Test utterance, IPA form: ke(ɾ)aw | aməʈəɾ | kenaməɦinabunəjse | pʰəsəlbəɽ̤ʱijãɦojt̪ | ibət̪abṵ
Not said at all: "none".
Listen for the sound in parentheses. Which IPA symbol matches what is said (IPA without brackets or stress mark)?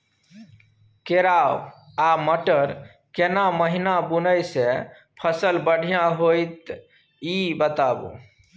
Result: ɾ